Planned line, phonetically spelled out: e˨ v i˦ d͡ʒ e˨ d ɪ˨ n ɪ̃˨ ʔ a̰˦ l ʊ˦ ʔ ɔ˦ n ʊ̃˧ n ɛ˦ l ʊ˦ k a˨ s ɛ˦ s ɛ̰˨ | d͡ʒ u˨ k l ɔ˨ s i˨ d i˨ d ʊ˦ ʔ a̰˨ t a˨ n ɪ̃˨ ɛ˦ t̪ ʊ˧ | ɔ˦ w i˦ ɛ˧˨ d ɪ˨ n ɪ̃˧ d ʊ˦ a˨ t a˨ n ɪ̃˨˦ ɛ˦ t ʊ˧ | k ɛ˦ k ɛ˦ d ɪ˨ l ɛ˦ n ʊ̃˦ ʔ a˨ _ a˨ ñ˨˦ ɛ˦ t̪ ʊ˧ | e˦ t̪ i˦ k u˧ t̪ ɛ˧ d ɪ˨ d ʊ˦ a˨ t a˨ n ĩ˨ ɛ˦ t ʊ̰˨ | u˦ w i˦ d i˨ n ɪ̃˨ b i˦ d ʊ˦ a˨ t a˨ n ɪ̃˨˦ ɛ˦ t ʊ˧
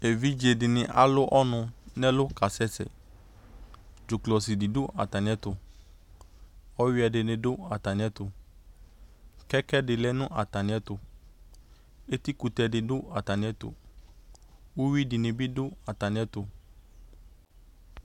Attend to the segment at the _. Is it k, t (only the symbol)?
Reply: t